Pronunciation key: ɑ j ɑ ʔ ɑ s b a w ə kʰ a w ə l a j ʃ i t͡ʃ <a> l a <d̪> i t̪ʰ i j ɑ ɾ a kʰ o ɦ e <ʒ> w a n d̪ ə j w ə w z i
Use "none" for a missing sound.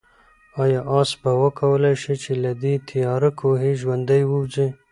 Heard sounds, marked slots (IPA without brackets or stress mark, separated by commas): e, d̪, ʒ